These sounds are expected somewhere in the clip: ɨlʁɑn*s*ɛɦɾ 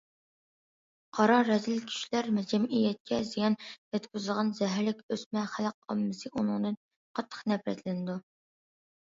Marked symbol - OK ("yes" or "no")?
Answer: no